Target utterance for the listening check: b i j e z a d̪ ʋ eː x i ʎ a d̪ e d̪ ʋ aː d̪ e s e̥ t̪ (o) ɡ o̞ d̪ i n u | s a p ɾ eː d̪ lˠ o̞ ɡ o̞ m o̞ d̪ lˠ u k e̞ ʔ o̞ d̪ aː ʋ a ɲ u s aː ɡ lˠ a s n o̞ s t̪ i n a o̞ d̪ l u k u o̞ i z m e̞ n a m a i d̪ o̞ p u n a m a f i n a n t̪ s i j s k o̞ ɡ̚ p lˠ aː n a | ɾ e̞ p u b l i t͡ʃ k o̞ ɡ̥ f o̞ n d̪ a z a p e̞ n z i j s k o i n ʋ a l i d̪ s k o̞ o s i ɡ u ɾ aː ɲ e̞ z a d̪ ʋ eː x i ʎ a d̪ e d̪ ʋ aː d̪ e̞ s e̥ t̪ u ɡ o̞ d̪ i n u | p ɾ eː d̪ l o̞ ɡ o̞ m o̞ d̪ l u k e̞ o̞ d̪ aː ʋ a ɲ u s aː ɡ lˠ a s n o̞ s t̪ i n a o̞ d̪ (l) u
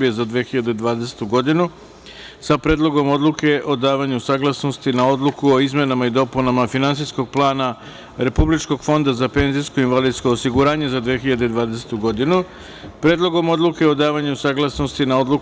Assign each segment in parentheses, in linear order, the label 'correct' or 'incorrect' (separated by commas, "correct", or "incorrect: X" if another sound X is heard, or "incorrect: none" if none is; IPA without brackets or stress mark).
incorrect: u, correct